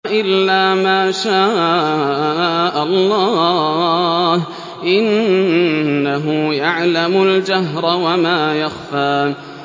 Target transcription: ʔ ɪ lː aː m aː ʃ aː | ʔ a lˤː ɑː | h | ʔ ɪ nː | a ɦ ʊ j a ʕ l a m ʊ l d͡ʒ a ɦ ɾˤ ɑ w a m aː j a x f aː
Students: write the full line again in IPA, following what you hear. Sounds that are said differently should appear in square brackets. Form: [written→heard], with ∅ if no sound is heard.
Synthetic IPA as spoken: ʔ ɪ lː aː m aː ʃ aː | ʔ a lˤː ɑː | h | ʔ ɪ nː | a ɦ ʊ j a ʕ l a m ʊ l d͡ʒ a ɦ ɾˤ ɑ w a m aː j a x f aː